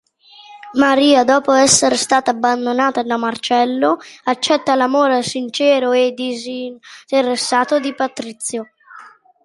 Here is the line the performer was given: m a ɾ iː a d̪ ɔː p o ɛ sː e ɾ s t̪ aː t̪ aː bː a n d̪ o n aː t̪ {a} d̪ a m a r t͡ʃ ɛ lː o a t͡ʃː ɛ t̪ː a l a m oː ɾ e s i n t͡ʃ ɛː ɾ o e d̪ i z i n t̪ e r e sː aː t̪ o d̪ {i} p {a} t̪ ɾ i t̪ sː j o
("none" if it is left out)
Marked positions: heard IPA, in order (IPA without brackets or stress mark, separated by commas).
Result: a, i, a